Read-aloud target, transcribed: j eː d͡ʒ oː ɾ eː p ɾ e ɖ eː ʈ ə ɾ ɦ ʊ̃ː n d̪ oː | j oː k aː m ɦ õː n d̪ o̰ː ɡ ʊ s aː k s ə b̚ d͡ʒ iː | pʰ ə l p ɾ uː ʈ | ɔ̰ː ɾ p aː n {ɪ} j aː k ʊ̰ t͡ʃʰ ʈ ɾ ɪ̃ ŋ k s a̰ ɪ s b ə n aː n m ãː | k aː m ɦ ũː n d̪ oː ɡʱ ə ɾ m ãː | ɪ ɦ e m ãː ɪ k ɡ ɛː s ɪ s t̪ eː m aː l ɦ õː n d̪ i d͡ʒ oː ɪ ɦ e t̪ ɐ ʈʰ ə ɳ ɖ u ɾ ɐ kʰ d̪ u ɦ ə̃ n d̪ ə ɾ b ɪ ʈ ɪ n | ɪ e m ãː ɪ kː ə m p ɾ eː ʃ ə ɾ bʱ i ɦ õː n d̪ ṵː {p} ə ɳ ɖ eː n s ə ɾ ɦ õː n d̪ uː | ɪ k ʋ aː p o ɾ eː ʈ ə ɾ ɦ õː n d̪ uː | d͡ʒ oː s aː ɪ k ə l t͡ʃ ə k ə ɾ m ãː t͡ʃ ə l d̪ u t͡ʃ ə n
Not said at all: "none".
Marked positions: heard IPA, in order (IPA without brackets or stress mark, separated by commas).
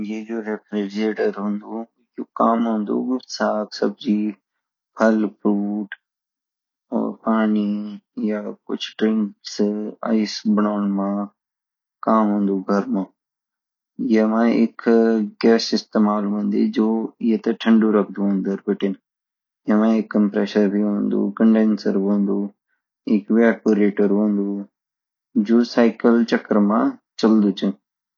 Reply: i, k